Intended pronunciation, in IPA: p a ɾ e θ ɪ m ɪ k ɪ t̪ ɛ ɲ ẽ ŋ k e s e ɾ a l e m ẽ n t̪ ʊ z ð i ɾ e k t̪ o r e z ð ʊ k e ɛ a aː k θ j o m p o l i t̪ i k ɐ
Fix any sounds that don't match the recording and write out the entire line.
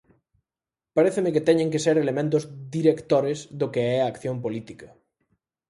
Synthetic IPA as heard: p a ɾ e θ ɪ m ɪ k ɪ t̪ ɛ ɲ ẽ ŋ k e s e ɾ e l e m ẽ n t̪ ʊ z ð i ɾ e k t̪ o ɾ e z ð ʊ k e ɛ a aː k θ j o m p o l i t̪ i k ɐ